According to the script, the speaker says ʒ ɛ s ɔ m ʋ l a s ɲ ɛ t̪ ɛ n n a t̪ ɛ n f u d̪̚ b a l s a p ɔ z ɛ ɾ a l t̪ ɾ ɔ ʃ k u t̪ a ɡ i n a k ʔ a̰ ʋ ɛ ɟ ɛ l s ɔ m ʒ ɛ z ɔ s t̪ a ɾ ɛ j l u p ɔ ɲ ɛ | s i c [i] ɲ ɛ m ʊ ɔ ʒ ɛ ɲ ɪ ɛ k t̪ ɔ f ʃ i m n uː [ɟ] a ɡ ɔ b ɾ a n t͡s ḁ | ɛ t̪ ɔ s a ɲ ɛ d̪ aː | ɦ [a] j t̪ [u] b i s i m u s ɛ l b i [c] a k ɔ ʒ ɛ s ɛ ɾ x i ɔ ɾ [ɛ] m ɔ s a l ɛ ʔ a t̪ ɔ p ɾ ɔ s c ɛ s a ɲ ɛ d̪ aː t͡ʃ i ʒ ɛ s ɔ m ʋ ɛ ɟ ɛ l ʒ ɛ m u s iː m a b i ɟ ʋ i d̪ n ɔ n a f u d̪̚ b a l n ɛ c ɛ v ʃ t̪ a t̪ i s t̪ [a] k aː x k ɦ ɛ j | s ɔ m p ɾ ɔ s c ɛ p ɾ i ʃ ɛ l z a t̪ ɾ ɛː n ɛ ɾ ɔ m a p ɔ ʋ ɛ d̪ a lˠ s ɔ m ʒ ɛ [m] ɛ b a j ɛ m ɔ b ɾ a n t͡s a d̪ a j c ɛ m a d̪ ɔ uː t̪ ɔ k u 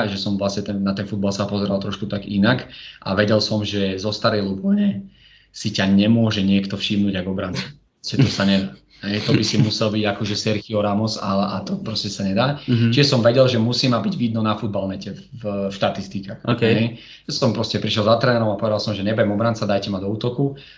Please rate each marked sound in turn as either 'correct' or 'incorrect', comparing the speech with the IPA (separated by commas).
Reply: incorrect, correct, incorrect, incorrect, incorrect, incorrect, incorrect, incorrect